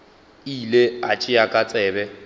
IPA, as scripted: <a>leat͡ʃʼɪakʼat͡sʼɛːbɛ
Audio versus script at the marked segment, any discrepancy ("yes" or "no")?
yes